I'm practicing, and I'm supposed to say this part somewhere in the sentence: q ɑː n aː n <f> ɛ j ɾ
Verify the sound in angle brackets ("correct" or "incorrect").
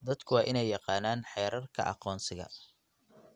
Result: incorrect